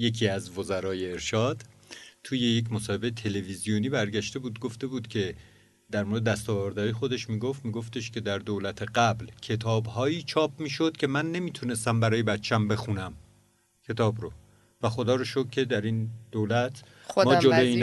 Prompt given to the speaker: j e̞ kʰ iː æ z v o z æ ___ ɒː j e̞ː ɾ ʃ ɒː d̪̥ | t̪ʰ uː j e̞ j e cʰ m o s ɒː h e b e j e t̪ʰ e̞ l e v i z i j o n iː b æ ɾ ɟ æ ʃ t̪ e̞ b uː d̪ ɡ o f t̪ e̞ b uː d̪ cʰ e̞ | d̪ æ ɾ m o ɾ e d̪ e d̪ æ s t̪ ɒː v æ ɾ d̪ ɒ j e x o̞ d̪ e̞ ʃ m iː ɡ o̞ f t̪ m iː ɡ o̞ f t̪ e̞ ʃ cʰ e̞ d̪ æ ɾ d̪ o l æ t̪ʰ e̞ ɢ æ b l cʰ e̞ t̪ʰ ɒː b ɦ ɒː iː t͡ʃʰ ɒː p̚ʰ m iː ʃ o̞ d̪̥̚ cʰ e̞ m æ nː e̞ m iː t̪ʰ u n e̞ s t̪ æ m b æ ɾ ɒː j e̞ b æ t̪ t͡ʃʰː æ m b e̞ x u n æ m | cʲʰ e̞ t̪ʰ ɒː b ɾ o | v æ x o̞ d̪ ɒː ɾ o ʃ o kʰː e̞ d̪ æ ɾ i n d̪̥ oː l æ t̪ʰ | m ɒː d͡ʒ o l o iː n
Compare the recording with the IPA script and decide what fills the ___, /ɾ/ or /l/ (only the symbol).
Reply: ɾ